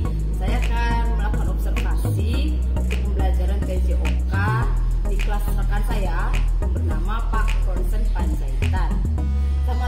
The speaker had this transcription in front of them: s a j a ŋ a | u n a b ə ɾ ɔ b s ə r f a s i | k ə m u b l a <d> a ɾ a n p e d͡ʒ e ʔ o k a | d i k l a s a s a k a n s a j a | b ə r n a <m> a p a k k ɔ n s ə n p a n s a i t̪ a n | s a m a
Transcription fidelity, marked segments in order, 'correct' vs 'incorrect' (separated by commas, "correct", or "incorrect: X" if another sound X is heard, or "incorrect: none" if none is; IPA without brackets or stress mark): incorrect: d͡ʒ, correct